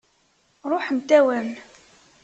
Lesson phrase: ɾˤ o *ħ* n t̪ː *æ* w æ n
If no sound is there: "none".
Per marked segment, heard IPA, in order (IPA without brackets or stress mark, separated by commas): ħ, æ